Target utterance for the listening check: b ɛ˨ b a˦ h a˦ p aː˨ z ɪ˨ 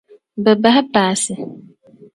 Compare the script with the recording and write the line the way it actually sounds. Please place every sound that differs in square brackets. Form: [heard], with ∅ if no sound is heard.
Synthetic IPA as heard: b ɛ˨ b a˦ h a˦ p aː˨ [s] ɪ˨